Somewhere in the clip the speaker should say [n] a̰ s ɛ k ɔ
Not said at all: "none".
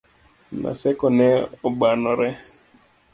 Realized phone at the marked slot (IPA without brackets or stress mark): n